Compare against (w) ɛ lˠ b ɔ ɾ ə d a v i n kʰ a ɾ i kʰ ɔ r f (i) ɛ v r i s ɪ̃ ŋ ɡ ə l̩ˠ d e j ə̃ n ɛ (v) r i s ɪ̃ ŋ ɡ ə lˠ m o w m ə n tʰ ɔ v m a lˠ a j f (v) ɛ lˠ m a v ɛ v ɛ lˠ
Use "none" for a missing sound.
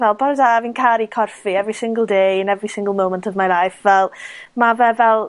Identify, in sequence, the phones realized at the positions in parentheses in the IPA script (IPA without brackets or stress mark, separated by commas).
v, i, v, v